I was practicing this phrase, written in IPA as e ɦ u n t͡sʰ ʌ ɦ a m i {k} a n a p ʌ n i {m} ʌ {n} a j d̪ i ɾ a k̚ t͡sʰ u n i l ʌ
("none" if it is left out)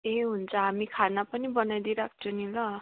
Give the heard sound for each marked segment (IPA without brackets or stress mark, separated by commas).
kʰ, b, n